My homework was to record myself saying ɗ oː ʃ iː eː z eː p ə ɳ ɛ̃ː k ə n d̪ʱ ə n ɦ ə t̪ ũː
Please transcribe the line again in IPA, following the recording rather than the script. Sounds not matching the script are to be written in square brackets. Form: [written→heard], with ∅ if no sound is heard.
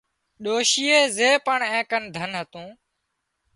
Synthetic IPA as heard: ɗ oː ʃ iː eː z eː p ə ɳ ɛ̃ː k ə n d̪ʱ ə n ɦ ə t̪ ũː

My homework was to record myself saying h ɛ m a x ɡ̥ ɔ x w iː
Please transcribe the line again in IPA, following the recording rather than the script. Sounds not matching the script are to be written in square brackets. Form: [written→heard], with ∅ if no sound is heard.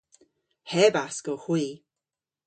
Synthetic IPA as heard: h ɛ [m→b] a [x→s] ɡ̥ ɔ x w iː

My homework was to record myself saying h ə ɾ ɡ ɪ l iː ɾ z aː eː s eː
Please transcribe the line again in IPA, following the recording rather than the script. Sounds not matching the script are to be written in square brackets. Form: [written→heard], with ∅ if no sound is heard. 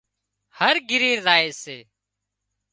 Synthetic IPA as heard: h ə ɾ ɡ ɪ [l→ɾ] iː ɾ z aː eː s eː

